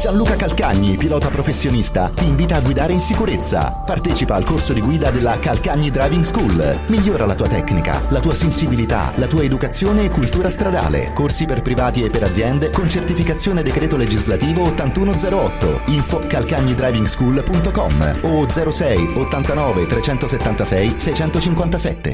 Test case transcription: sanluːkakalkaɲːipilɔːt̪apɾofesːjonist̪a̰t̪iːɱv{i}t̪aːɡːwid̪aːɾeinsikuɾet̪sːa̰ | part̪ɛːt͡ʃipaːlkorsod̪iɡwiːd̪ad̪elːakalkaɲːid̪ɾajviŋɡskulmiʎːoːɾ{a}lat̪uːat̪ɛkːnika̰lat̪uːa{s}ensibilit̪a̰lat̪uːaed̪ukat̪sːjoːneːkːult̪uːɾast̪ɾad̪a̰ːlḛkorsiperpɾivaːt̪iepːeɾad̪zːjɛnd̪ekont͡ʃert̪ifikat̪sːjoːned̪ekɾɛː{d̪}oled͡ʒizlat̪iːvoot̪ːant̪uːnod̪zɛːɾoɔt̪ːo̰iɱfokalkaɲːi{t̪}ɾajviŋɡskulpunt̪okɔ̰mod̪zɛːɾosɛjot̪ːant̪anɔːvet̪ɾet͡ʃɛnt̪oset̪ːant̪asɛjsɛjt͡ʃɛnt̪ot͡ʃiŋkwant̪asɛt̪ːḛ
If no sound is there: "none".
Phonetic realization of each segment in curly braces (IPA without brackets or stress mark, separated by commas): iː, a, s, t̪, d̪